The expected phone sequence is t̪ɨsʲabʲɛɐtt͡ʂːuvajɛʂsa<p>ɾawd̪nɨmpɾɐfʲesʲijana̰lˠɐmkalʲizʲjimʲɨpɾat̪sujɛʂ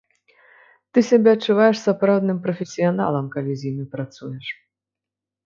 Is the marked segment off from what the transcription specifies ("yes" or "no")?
no